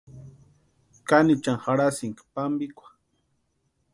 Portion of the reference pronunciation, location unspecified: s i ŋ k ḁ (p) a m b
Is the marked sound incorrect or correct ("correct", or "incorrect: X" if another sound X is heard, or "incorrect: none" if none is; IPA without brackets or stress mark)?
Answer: correct